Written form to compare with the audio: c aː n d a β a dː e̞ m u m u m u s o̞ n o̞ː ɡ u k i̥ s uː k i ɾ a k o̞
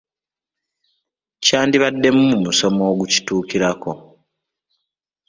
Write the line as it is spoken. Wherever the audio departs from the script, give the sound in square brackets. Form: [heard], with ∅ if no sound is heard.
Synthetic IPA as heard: c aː n d [i] β a dː e̞ m u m u m u s o̞ [m] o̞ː ɡ u [c] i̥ [t] uː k i ɾ a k o̞

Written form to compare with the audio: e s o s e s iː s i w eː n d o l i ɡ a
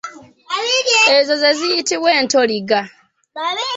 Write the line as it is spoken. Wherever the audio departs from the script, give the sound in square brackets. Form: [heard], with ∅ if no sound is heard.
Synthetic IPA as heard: e [z] o [z] e [z] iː [t] i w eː n [t] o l i ɡ a

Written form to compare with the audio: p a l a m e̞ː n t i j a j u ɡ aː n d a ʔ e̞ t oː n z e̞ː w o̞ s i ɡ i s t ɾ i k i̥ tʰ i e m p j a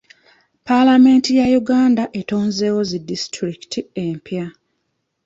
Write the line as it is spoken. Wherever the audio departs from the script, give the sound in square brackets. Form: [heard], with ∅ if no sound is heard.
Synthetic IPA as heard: p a l a m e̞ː n t i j a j u ɡ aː n d a ʔ e̞ t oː n z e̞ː w o̞ [z] i [d] i s t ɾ i k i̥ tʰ i e m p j a

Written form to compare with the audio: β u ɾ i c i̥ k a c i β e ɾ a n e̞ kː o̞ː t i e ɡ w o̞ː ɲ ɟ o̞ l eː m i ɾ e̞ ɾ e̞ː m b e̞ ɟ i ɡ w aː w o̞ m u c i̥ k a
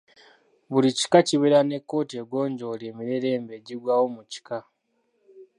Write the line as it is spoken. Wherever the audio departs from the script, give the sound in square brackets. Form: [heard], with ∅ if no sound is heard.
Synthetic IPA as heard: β u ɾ i c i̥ k a c i β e ɾ a n e̞ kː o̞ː t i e ɡ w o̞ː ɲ ɟ o̞ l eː m i ɾ e̞ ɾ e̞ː m b e̞ ɟ i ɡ w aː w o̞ m u c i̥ k a

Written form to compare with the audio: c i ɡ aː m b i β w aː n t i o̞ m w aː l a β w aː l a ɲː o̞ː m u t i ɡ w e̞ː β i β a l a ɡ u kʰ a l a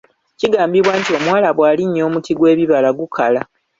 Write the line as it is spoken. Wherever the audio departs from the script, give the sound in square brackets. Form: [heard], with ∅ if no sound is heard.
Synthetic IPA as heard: c i ɡ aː m b i β w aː n t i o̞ m w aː l a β w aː l [i] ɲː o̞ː m u t i ɡ w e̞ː β i β a l a ɡ u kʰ a l a

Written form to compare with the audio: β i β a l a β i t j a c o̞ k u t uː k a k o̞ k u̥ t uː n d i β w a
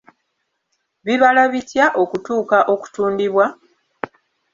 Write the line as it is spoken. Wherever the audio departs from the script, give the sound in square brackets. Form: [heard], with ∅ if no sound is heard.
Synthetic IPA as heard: β i β a l a β i t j a [ʔ] o̞ k u t uː k a [ʔ] o̞ k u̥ t uː n d i β w a

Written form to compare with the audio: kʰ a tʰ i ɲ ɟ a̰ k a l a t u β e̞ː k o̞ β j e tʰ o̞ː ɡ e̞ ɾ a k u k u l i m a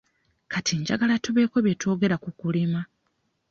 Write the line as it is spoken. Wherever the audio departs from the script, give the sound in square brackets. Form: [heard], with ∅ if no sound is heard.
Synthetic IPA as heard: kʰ a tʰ i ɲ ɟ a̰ [ɡ] a l a t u β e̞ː k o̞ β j e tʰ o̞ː ɡ e̞ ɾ a k u k u l i m a

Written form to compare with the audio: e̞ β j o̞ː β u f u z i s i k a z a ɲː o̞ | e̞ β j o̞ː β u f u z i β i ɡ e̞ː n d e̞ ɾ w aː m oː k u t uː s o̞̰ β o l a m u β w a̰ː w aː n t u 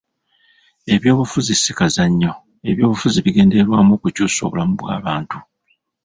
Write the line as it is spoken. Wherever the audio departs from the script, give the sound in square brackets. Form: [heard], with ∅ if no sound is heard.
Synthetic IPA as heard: e̞ β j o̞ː β u f u z i s i k a z a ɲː o̞ | e̞ β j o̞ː β u f u z i β i ɡ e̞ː n d e̞ ɾ w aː m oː k u [c] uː s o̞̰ β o l a m u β w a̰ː [β] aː n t u

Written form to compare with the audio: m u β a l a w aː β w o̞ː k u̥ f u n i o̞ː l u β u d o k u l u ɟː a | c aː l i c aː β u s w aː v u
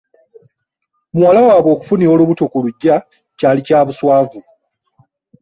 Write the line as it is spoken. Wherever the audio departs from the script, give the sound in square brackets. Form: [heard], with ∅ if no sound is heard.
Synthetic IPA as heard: m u [w] a l a w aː β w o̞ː k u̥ f u n i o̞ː l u β u [t] o k u l u ɟː a | c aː l i c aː β u s w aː v u

